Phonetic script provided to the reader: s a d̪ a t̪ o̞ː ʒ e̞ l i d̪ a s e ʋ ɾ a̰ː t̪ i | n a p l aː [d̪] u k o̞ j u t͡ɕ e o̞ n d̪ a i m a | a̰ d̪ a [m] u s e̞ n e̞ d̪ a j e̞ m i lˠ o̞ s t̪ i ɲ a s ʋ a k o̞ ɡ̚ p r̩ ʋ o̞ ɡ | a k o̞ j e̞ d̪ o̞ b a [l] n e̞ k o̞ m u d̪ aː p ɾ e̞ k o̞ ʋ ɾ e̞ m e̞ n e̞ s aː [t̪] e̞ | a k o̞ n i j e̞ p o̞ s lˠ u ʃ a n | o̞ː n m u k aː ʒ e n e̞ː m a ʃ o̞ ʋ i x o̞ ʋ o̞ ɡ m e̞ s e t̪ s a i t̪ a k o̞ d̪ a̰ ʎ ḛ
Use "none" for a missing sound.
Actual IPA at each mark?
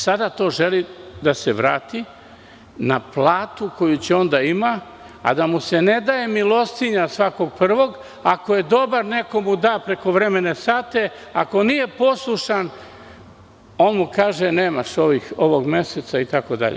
t̪, m, ɾ, t̪

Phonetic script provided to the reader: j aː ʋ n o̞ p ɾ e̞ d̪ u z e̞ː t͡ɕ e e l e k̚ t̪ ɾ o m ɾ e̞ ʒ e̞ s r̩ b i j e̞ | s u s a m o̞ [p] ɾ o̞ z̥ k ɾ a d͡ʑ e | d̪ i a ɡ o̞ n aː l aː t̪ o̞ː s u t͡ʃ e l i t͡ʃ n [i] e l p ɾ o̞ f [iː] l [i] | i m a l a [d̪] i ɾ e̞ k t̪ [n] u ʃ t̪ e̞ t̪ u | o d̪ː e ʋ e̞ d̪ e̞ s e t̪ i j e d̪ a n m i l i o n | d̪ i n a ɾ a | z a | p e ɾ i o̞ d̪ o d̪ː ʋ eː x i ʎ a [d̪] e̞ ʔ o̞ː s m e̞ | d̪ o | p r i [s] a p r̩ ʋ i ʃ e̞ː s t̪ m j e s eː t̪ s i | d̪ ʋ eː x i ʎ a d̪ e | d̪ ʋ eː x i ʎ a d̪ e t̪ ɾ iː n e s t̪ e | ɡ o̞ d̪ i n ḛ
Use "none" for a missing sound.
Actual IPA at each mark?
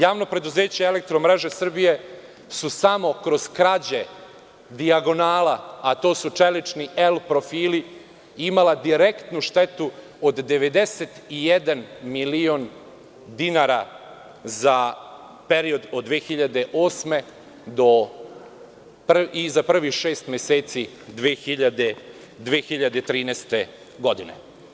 k, i, iː, i, d̪, n, d̪, z

